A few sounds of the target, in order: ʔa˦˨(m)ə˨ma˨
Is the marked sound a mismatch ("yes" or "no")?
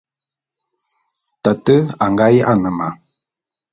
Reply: yes